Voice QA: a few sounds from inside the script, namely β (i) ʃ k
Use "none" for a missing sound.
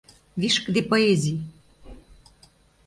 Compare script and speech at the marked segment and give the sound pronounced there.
i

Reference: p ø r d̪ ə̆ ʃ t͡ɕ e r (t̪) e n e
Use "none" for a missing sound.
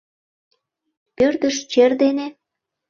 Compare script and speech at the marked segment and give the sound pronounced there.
d̪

